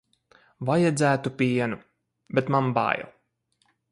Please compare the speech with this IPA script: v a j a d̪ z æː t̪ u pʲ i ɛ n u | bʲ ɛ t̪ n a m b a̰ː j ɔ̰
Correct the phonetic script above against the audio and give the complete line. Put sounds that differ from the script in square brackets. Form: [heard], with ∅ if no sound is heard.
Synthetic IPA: v a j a d̪ z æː t̪ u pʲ i ɛ n u | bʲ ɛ t̪ [m] a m b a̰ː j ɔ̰